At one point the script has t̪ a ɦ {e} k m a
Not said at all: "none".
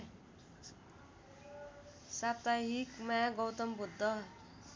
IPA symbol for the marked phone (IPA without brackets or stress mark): i